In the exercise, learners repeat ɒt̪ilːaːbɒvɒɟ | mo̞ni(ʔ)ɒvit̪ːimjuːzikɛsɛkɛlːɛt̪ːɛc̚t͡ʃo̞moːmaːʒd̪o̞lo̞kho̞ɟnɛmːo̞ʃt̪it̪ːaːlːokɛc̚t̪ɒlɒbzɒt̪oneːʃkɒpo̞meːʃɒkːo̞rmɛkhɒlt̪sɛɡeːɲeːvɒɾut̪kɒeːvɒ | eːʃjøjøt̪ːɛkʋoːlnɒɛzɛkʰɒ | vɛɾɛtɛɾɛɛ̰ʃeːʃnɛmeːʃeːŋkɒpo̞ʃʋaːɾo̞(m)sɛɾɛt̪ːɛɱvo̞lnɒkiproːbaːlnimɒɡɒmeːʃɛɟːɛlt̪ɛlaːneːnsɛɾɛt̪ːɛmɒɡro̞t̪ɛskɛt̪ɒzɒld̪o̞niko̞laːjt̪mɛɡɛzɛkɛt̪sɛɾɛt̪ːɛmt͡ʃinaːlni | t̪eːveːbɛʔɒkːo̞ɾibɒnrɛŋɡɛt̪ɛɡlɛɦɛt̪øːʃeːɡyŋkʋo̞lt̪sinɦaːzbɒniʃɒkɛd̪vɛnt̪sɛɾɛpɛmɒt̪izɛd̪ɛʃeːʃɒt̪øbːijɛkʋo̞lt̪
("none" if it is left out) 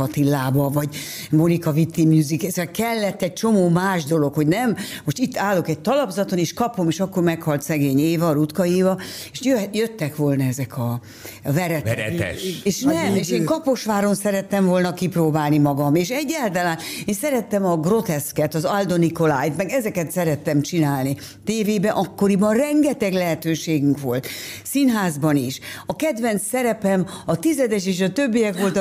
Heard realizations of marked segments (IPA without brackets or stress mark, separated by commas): k, n